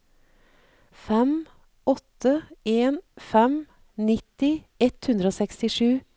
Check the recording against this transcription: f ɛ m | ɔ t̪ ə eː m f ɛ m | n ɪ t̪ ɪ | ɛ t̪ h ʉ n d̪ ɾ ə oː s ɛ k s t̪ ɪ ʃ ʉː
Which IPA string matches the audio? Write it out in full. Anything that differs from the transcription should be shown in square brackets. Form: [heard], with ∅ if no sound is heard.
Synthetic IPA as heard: f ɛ m | ɔ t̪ ə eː [n] f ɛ m | n ɪ t̪ ɪ | ɛ t̪ h ʉ n d̪ ɾ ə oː s ɛ k s t̪ ɪ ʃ ʉː